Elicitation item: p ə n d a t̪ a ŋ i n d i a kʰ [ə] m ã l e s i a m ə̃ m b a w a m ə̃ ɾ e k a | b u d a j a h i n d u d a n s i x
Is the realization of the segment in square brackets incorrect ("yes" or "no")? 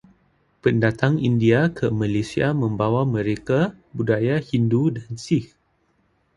no